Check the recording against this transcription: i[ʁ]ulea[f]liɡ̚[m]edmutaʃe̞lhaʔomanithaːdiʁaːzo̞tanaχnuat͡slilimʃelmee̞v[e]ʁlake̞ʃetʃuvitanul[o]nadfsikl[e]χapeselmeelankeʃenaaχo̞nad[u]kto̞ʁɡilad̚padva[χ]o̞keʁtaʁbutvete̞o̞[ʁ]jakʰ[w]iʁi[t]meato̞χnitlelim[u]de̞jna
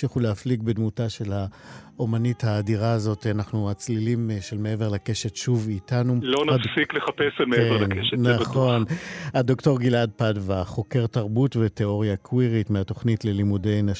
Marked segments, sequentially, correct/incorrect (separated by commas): incorrect, correct, incorrect, correct, correct, correct, incorrect, correct, correct, correct, correct, correct